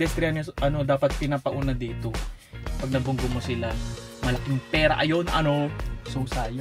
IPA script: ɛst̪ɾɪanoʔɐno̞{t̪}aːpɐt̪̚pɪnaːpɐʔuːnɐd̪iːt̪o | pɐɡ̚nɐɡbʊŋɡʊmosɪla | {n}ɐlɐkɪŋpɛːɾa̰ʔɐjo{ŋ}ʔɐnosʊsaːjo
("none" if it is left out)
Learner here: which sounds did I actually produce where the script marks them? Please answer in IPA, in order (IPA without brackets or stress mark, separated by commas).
d̪, m, n